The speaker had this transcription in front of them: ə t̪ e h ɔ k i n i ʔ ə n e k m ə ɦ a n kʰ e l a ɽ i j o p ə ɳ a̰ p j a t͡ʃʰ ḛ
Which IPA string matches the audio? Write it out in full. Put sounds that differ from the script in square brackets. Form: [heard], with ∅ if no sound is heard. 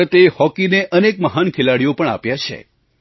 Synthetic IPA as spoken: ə t̪ e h ɔ k i n [e] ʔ ə n e k m ə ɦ a n kʰ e l a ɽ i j o p ə ɳ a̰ p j a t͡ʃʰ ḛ